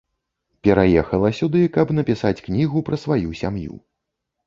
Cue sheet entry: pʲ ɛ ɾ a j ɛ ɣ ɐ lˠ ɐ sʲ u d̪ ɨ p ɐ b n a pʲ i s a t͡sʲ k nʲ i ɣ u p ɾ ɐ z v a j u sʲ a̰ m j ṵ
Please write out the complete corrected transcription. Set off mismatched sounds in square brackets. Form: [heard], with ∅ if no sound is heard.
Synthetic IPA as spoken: pʲ ɛ ɾ a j ɛ [x] ɐ lˠ ɐ sʲ u d̪ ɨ [k] ɐ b n [ɐ] pʲ i s a t͡sʲ k nʲ i ɣ u p ɾ ɐ [s] v a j u sʲ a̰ m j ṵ